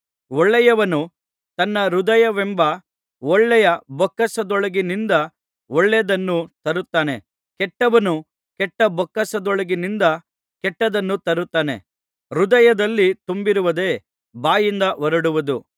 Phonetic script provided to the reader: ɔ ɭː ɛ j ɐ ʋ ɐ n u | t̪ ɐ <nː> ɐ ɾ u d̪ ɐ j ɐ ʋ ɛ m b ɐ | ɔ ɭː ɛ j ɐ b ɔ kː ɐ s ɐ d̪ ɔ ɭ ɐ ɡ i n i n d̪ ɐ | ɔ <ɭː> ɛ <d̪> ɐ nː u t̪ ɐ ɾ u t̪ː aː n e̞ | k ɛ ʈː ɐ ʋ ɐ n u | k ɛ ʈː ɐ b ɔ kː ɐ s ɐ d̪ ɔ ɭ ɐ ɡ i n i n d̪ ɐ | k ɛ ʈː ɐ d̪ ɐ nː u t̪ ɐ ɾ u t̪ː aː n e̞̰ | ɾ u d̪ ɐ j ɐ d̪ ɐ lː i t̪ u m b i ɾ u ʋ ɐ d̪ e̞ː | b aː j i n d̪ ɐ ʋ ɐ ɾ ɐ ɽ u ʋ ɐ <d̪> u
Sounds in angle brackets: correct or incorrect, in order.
correct, correct, correct, correct

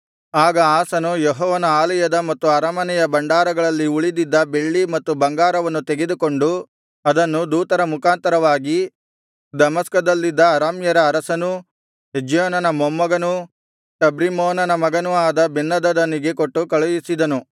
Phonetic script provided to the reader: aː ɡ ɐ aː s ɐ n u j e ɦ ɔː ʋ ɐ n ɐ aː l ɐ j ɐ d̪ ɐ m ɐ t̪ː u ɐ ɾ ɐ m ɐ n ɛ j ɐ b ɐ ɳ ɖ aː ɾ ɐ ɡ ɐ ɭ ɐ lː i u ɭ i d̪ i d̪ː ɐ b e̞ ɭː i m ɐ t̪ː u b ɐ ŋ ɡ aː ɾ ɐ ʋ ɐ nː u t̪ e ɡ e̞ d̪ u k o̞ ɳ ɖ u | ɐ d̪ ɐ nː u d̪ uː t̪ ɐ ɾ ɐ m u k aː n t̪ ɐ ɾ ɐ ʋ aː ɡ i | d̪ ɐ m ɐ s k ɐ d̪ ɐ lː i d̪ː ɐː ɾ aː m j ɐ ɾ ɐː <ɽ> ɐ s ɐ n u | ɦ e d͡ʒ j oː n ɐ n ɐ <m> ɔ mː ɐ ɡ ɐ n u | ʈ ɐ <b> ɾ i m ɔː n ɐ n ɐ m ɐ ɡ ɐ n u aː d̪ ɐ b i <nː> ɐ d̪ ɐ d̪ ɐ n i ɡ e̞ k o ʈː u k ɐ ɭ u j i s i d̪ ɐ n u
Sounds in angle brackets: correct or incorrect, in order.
incorrect, correct, correct, correct

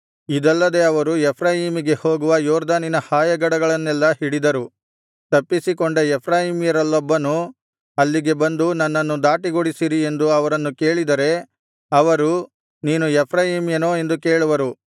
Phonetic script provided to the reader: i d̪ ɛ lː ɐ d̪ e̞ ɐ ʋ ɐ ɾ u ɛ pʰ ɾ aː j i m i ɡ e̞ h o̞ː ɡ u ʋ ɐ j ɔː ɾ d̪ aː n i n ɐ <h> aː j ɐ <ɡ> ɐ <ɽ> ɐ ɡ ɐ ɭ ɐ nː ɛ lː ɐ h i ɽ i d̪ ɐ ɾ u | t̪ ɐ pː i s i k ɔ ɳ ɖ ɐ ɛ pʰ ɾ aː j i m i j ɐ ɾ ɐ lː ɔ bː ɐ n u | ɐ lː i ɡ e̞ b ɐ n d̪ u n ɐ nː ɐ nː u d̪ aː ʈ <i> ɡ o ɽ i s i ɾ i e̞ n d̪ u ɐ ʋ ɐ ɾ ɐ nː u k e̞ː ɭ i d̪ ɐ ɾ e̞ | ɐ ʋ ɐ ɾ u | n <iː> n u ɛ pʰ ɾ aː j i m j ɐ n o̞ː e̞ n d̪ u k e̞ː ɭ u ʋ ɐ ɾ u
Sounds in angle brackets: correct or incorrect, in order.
correct, correct, correct, correct, correct

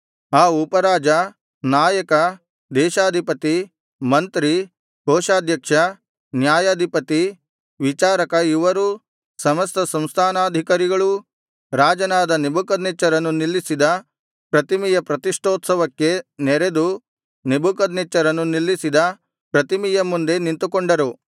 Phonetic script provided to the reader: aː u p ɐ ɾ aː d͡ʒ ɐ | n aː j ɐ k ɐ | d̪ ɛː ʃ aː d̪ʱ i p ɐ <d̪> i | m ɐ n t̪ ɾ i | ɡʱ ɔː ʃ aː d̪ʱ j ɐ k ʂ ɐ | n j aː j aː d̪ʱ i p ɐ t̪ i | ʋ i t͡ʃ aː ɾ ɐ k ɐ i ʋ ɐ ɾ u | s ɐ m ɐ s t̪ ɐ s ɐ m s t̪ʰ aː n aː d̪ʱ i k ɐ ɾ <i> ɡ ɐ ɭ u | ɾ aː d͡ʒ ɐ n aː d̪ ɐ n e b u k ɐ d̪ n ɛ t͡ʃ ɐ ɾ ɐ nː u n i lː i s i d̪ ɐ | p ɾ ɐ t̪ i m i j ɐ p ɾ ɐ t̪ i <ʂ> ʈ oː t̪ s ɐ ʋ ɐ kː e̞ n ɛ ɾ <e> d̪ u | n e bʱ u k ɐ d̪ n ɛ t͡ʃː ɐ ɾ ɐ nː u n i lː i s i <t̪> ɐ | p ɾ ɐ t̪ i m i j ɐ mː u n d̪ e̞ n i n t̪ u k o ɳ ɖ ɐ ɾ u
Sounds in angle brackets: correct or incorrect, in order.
incorrect, correct, correct, correct, incorrect

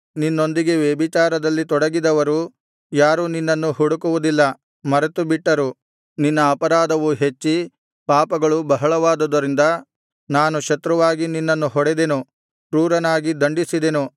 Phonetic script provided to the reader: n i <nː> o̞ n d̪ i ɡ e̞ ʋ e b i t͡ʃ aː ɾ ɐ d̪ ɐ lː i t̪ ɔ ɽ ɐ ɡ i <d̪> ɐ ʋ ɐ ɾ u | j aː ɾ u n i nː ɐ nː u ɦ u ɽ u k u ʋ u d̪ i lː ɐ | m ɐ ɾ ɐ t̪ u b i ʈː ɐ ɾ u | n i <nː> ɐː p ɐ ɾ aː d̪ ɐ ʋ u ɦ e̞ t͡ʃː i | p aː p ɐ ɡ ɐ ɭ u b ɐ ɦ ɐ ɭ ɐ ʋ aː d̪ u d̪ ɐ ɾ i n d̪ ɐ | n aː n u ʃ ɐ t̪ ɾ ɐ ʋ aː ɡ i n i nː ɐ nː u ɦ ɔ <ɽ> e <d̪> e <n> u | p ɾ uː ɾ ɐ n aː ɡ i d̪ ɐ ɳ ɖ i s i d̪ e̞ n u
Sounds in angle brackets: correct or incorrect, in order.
correct, correct, correct, correct, correct, correct

